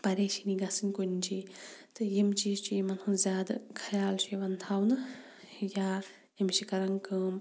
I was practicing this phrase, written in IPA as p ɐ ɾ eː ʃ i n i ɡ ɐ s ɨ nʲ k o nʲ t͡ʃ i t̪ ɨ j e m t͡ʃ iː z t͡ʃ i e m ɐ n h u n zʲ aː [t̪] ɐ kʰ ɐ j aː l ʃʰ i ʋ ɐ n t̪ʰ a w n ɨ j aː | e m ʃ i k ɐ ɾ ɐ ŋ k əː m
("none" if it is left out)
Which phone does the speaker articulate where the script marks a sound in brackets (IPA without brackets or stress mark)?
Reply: d̪